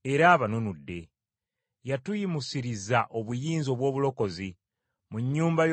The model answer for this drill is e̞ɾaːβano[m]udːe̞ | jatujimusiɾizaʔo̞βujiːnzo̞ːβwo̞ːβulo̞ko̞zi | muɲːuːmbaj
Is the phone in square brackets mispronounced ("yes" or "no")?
yes